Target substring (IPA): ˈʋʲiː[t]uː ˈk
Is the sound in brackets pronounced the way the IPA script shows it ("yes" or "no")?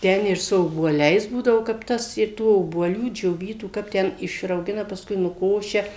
yes